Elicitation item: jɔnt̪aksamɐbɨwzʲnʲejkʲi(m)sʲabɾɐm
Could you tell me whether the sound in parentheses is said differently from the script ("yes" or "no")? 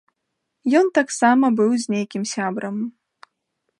no